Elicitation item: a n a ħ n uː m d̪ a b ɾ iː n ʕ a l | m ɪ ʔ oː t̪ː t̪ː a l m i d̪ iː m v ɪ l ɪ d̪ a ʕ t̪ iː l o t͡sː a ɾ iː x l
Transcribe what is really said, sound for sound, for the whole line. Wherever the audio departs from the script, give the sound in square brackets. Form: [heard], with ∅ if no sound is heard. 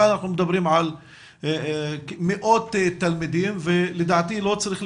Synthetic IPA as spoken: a n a ħ n [u] m d̪ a b ɾ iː [m] ʕ a l | m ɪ ʔ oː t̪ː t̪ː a l m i d̪ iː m v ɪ l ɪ d̪ a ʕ t̪ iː l o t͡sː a ɾ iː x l